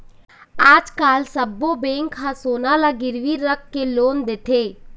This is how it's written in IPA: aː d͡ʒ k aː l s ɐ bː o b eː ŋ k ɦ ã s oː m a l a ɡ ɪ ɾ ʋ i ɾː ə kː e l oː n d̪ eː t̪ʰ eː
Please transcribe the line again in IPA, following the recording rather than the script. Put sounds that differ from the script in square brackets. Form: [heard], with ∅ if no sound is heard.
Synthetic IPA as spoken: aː d͡ʒ k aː l s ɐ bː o b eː ŋ k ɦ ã s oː [n] a l a ɡ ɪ ɾ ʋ i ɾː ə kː e l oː n d̪ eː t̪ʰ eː